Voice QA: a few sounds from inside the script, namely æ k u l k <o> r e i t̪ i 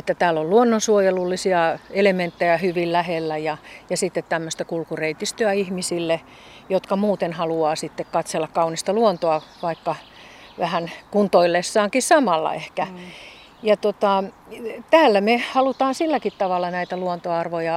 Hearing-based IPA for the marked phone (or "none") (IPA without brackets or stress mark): u